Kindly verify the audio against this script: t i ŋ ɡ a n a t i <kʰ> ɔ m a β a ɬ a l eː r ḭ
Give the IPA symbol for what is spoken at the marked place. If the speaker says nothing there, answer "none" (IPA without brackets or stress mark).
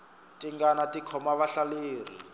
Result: kʰ